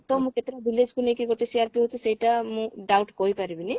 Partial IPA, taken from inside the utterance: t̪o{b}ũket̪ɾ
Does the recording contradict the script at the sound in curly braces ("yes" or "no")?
yes